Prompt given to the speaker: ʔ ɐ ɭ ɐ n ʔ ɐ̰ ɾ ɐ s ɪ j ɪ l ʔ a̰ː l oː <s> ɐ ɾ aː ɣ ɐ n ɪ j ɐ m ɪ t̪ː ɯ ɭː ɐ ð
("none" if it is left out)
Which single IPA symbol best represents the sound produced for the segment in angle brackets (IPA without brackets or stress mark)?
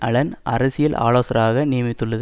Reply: s